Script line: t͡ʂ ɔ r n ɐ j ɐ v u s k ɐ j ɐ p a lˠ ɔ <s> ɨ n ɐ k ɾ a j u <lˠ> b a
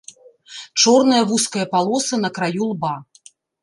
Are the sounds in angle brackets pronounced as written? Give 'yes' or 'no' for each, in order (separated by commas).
yes, yes